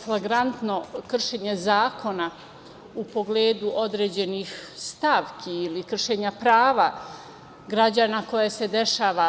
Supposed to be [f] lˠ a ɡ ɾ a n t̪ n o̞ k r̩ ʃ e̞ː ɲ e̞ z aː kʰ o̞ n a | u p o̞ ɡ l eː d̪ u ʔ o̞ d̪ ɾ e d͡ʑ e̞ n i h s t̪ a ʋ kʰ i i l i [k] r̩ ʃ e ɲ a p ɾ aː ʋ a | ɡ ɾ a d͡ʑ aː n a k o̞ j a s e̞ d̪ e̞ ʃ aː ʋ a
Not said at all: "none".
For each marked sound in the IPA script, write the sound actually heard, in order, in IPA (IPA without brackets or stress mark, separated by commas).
f, k